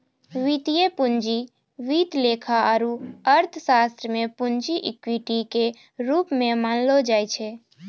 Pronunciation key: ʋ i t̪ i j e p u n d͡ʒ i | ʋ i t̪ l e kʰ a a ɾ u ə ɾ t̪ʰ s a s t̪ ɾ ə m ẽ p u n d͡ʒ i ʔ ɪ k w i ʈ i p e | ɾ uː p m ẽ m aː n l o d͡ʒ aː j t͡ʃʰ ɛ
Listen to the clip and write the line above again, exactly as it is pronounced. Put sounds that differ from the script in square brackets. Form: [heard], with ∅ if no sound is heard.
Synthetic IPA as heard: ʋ i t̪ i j e p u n d͡ʒ i | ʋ i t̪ l e kʰ a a ɾ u ə ɾ t̪ʰ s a s t̪ ɾ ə m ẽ p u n d͡ʒ i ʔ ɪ k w i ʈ i [k] e | ɾ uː p m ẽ m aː n l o d͡ʒ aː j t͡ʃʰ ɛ